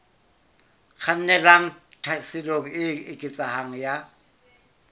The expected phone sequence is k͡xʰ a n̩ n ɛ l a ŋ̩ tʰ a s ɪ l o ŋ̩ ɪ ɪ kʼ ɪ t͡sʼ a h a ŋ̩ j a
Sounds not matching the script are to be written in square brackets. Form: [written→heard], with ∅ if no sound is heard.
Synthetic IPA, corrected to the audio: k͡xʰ a n̩ n ɛ l a ŋ̩ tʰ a s ɪ l o ŋ̩ ɪ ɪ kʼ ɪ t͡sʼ a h a ŋ̩ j a